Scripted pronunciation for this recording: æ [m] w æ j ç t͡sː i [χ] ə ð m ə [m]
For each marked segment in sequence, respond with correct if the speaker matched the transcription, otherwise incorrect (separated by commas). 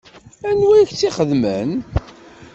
incorrect, correct, incorrect